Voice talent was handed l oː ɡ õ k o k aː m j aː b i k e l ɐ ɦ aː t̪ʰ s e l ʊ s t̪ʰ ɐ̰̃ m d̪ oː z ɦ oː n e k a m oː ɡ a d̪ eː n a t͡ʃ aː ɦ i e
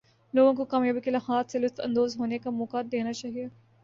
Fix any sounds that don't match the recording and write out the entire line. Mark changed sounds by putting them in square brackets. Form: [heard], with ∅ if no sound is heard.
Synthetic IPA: l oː ɡ õ k o k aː m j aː b i k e l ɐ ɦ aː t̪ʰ s e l ʊ s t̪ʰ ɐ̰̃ [n] d̪ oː z ɦ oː n e k a m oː [k] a d̪ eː n a t͡ʃ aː ɦ i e